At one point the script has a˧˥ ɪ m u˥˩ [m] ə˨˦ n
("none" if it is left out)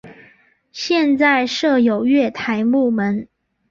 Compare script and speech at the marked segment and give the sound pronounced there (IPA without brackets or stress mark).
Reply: m